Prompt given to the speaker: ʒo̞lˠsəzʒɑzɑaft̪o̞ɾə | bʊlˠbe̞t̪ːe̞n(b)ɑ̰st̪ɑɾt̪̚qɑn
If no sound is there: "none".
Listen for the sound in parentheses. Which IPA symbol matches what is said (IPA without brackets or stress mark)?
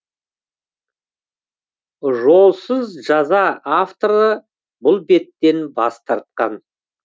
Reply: b